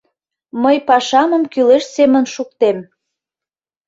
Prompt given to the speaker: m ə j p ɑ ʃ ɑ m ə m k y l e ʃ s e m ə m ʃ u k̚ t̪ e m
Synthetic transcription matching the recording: m ə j p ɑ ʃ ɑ m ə m k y l e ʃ s e m ə n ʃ u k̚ t̪ e m

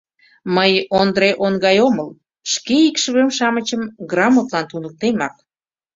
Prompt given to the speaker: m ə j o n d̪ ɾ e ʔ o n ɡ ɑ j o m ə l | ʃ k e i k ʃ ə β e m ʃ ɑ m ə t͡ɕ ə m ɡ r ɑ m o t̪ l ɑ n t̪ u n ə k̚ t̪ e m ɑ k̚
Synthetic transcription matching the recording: m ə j o n d̪ ɾ e ʔ o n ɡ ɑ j o m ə l | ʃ k e i k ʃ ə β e m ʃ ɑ m ə t͡ɕ ə m ɡ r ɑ m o t̪ l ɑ n t̪ u n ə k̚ t̪ e m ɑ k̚

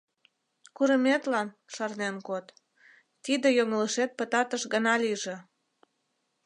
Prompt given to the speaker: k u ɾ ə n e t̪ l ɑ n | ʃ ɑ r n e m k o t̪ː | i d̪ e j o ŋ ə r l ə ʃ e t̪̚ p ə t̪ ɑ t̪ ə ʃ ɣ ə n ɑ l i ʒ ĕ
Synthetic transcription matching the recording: k u ɾ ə m e t̪ l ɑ n | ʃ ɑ r n e n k o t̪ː | i d̪ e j o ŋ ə l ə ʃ e t̪̚ p ə t̪ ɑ t̪ ə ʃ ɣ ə n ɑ l i ʒ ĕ

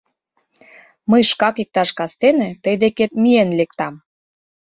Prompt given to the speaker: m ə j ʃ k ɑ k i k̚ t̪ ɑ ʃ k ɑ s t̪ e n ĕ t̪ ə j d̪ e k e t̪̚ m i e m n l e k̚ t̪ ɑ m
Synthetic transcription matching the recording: m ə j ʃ k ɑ k i k̚ t̪ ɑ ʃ k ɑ s t̪ e n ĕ t̪ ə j d̪ e k e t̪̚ m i e n l e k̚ t̪ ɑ m

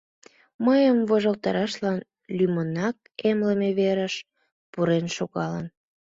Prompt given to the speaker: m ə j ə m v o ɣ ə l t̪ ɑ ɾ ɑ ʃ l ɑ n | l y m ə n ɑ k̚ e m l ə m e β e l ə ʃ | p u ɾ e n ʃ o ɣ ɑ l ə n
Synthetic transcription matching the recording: m ə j ə m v o ʒ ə l t̪ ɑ ɾ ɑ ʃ l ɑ n | l y m ə n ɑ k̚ e m l ə m e β e ɾ ə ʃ | p u ɾ e n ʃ o ɣ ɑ l ə n

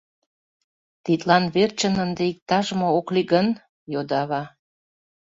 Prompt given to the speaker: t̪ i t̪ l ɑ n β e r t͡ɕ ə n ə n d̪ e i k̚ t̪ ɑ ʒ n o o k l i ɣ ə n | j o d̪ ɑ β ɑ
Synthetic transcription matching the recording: t̪ i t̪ l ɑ n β e r t͡ɕ ə n ə n d̪ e i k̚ t̪ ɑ ʒ m o o k l i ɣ ə n | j o d̪ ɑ β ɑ

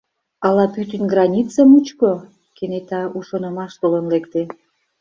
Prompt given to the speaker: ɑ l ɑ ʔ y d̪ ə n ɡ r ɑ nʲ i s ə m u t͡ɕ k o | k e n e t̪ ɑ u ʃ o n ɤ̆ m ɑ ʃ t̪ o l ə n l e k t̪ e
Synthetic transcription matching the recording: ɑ l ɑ p y t̪ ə n ɡ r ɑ nʲ i t͡s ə m u t͡ɕ k o | k e n e t̪ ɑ u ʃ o n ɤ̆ m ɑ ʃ t̪ o l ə n l e k t̪ e

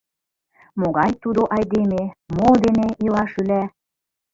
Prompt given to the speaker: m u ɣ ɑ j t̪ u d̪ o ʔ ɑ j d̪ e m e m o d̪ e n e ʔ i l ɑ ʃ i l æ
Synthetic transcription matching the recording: m o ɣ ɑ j t̪ u d̪ o ʔ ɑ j d̪ e m e m o d̪ e n e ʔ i l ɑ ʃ y l æ

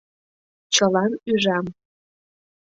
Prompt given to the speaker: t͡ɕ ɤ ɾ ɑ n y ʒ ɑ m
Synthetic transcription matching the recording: t͡ɕ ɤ l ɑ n y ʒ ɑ m

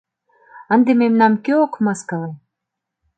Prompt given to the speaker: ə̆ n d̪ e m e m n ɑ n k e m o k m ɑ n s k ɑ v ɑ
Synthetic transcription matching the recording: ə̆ n d̪ e m e m n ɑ m k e o k m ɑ s k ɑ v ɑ

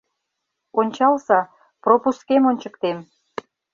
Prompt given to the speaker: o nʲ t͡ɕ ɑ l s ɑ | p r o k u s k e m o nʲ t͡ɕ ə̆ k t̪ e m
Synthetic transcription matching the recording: o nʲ t͡ɕ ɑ l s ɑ | p r o p u s k e m o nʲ t͡ɕ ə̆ k t̪ e m

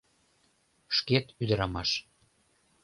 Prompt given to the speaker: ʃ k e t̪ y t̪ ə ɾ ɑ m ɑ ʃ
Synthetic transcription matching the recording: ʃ k e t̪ y d̪ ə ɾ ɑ m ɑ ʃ

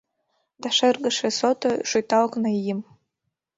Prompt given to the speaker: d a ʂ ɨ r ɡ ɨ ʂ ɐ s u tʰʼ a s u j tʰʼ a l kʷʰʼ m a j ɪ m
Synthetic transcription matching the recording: d a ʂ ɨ r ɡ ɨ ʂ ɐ s o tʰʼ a ʂ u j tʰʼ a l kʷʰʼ n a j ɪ m

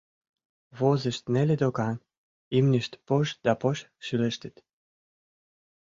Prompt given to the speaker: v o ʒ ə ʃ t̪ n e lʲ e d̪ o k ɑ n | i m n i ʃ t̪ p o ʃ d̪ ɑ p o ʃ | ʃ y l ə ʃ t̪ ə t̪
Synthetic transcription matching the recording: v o z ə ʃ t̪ n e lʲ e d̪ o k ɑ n | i m n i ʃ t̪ p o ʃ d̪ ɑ p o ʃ | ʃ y l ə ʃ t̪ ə t̪

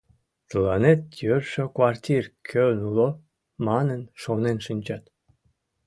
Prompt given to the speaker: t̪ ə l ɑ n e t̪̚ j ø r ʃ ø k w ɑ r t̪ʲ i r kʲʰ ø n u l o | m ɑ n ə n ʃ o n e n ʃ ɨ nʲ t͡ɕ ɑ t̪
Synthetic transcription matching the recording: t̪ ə l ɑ n e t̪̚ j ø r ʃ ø k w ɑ r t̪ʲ i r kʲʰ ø n u l o | m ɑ n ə n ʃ o n e n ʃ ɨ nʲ t͡ɕ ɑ t̪

